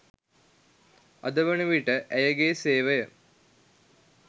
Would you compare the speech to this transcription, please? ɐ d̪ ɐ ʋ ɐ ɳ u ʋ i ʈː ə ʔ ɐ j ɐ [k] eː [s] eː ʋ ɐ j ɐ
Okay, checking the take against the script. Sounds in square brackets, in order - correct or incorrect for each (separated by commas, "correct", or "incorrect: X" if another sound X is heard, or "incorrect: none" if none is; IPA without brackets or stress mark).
incorrect: ɡ, correct